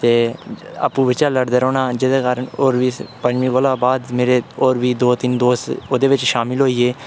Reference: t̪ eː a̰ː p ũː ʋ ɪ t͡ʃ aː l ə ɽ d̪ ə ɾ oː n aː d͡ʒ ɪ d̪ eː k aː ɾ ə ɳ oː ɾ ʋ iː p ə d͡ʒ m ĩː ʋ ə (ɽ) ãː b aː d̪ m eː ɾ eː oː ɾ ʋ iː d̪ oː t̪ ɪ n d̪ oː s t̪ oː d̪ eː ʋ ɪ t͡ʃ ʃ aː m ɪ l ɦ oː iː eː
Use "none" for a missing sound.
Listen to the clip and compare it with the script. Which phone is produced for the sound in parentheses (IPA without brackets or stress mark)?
l